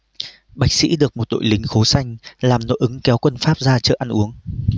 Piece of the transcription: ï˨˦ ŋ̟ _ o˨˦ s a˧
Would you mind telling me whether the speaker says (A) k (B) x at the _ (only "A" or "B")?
B